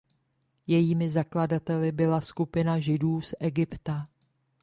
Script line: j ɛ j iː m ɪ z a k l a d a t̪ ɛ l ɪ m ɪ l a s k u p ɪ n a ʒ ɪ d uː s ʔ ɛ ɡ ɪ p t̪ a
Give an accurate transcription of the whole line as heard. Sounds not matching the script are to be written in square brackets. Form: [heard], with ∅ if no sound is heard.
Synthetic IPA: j ɛ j iː m ɪ z a k l a d a t̪ ɛ l ɪ [b] ɪ l a s k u p ɪ n a ʒ ɪ d uː s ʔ ɛ ɡ ɪ p t̪ a